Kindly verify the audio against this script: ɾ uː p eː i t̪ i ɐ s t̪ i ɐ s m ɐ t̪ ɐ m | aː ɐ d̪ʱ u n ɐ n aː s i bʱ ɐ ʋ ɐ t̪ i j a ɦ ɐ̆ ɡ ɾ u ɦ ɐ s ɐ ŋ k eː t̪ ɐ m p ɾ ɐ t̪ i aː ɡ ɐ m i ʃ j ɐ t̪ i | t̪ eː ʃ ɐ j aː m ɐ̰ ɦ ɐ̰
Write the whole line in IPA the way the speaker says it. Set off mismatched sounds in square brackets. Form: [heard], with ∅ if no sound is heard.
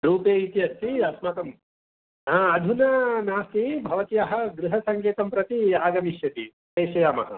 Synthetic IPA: ɾ uː p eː i t̪ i ɐ s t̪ i ɐ s m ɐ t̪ ɐ m | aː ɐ d̪ʱ u n ɐ n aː s i bʱ ɐ ʋ ɐ t̪ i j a ɦ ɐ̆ ɡ ɾ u ɦ ɐ s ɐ ŋ k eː t̪ ɐ m p ɾ ɐ t̪ i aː ɡ ɐ m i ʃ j ɐ t̪ i | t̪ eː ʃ ɐ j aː m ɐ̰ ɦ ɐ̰